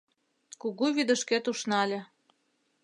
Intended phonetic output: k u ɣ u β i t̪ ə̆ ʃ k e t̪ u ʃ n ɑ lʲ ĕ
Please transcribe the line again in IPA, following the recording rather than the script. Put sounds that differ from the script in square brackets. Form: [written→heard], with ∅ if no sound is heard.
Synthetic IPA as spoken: k u ɣ u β i [t̪→d̪] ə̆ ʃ k e t̪ u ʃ n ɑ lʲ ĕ